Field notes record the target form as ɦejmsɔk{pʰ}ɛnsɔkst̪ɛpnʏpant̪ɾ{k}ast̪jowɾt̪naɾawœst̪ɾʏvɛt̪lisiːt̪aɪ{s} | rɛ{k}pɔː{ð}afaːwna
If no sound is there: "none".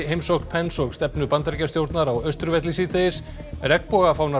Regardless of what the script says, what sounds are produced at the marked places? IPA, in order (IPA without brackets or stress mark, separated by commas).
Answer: pʰ, c, s, k, ɣ